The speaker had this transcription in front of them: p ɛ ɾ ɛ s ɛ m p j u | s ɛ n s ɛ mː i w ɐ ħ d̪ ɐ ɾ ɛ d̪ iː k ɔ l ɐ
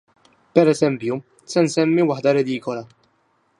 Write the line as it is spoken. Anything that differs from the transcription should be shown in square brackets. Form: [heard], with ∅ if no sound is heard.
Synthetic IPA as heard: p ɛ ɾ ɛ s ɛ m p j u | s ɛ n s ɛ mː i w ɐ ħ d̪ ɐ ɾ ɛ d̪ iː k ɔ l ɐ